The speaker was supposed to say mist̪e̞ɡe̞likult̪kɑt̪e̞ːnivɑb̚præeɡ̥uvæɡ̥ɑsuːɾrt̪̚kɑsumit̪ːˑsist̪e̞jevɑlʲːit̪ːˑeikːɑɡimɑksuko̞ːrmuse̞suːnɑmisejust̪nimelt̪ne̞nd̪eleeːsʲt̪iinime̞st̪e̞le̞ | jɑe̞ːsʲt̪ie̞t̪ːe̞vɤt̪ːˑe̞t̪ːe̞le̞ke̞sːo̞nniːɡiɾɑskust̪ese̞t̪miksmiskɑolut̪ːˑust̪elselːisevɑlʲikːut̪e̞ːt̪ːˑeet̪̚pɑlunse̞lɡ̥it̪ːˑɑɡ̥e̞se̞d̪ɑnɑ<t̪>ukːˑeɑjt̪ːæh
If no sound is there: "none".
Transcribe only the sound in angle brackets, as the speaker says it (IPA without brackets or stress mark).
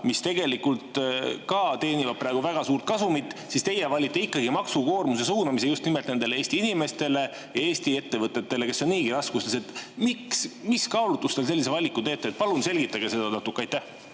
t̪